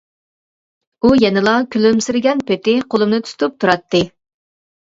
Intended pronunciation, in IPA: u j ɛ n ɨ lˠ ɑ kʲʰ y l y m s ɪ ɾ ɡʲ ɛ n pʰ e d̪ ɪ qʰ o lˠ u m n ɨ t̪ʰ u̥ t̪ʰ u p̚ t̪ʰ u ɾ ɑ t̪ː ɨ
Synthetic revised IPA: u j ɛ n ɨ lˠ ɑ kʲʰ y l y m s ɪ ɾ ɡʲ ɛ n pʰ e t̪ ɪ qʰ o lˠ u m n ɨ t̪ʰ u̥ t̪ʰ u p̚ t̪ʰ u ɾ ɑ t̪ː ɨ